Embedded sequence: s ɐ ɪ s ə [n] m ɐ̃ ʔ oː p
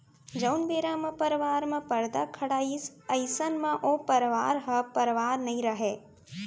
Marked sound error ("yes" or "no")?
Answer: no